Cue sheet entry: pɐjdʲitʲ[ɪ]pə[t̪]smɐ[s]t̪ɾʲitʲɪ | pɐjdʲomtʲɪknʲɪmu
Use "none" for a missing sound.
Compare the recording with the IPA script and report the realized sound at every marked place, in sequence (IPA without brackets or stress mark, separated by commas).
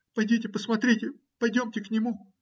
ɪ, none, none